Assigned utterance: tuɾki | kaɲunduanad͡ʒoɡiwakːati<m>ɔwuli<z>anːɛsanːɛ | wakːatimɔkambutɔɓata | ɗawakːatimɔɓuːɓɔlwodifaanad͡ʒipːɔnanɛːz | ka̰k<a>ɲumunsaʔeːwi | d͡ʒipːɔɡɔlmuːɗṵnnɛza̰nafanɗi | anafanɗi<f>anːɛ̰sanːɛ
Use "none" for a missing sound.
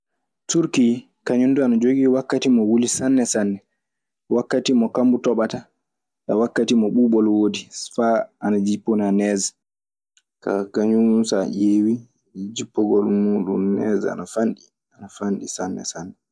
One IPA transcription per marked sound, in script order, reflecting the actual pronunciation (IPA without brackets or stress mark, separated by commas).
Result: m, s, a, s